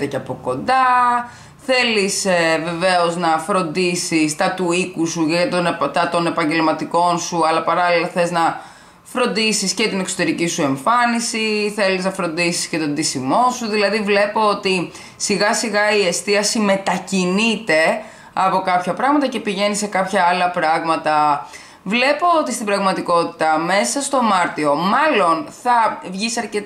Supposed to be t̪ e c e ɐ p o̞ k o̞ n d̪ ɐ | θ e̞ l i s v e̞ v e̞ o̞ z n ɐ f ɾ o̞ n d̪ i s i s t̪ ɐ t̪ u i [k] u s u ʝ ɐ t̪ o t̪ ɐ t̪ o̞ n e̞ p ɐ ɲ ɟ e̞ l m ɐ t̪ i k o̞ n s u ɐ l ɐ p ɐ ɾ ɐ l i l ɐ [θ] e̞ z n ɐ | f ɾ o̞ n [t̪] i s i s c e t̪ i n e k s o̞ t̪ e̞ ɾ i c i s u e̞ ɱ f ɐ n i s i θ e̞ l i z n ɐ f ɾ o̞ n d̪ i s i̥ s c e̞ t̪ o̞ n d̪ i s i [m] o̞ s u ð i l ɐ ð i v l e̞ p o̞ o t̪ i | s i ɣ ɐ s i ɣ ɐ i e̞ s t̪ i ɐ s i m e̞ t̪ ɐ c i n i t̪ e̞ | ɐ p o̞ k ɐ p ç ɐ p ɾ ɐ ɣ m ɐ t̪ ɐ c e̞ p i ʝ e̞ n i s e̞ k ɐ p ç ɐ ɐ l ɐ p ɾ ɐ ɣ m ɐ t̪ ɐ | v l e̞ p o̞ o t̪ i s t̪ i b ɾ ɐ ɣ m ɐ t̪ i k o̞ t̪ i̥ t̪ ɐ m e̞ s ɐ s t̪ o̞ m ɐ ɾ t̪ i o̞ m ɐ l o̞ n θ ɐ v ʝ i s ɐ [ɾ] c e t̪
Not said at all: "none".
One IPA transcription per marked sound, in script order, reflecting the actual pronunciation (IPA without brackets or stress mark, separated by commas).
k, θ, d̪, m, ɾ